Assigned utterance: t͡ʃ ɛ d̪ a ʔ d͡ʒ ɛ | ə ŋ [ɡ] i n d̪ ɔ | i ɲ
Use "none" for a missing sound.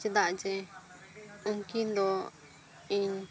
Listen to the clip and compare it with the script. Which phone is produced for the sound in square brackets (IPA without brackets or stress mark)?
k